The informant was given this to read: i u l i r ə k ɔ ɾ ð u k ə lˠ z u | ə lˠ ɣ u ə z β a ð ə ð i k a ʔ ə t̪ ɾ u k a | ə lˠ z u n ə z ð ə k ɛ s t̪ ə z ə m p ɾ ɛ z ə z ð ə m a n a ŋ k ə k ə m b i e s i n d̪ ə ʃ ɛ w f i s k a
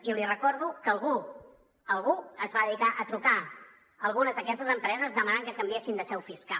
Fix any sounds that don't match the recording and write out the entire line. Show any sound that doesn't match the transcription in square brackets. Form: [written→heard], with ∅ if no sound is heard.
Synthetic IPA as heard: i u l i r ə k ɔ ɾ ð u k ə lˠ [z→ɣ] u | ə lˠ ɣ u ə z β a ð ə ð i k a ʔ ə t̪ ɾ u k a | ə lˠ [z→ɣ] u n ə z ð ə k ɛ s t̪ ə z ə m p ɾ ɛ z ə z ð ə m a n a ŋ k ə k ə m b i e s i n d̪ ə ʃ ɛ w f i s k a